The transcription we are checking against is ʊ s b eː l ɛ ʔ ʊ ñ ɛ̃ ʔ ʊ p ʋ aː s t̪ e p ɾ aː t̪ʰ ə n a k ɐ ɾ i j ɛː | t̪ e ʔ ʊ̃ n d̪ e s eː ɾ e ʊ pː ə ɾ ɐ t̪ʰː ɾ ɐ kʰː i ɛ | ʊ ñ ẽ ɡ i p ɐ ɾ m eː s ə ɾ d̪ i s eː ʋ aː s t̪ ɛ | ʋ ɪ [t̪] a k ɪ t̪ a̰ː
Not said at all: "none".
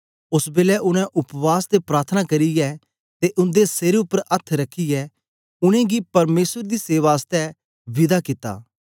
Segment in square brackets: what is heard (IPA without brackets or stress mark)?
d̪